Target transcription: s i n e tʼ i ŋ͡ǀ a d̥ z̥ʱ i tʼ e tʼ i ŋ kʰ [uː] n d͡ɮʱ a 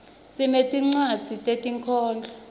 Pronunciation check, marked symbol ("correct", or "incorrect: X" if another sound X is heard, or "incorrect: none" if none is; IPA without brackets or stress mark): incorrect: ɔː